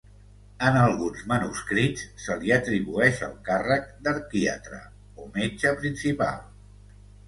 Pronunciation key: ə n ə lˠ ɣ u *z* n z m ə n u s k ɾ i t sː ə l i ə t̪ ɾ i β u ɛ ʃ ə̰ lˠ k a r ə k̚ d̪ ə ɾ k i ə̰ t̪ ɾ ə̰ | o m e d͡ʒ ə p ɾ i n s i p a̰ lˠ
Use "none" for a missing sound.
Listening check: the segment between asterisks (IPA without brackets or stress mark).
none